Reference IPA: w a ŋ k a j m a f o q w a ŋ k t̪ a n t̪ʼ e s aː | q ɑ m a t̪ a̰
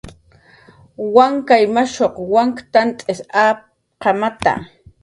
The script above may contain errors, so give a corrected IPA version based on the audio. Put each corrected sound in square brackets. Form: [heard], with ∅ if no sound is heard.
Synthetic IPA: w a ŋ k a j m a [ʃ] o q w a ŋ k t̪ a n t̪ʼ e s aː | q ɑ m a t̪ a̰